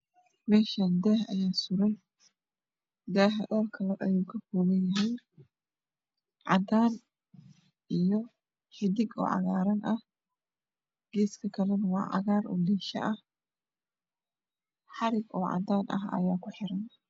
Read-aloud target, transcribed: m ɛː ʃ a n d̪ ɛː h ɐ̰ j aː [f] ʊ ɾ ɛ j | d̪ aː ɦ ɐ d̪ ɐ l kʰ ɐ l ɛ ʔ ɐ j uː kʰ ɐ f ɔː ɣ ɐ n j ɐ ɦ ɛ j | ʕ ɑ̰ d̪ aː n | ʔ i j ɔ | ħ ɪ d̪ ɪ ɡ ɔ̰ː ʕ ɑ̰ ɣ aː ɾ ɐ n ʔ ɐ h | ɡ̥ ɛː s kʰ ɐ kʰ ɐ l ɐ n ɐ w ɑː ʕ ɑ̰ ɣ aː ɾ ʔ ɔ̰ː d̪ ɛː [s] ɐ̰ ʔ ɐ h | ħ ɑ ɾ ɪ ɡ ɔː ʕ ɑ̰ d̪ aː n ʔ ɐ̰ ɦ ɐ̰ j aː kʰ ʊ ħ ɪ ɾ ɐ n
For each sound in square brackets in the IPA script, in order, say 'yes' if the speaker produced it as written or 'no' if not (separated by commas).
no, no